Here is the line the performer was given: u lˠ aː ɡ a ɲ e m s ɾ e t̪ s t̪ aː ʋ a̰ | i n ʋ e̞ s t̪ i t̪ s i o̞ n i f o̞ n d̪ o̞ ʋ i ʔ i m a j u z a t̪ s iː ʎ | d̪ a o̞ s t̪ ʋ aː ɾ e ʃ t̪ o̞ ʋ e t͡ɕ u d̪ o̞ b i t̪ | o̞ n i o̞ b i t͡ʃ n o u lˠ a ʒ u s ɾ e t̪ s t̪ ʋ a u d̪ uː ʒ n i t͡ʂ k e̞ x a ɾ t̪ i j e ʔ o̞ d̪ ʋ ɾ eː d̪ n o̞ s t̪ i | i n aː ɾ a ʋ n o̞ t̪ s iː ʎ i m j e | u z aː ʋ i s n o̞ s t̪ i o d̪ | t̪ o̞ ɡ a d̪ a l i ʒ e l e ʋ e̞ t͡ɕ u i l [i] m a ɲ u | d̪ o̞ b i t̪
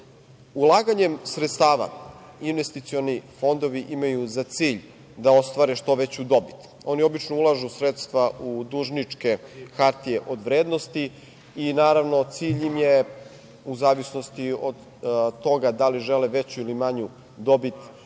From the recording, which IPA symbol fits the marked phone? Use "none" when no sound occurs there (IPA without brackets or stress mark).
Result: i